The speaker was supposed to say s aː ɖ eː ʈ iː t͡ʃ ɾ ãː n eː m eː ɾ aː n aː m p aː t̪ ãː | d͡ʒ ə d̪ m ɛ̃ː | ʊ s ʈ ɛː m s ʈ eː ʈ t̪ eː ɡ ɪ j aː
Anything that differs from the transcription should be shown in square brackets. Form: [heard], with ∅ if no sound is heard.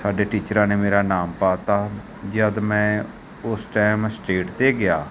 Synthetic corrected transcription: s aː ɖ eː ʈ iː t͡ʃ ɾ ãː n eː m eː ɾ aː n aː m p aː t̪ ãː | d͡ʒ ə d̪ m ɛ̃ː | ʊ s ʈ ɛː m s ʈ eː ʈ t̪ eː ɡ ɪ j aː